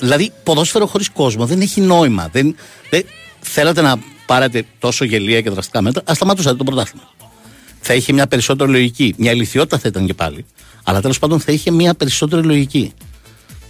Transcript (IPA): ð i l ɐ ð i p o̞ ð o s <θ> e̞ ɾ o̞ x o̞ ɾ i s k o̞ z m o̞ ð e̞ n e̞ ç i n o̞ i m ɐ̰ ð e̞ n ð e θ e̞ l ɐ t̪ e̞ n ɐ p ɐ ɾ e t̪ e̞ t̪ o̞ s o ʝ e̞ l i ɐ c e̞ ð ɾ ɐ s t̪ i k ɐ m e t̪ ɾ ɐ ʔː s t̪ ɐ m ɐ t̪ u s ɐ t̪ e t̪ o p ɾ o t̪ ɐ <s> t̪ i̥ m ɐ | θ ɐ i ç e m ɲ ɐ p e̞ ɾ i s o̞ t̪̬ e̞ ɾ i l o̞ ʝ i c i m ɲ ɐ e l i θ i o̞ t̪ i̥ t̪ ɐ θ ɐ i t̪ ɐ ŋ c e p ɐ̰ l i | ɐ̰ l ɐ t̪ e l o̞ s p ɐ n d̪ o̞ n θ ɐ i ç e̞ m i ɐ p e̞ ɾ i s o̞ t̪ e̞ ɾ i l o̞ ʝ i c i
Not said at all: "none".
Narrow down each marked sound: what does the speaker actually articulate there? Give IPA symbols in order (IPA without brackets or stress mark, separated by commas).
f, s